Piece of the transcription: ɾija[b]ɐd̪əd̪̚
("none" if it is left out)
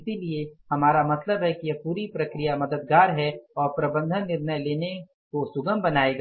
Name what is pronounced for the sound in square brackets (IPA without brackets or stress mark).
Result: m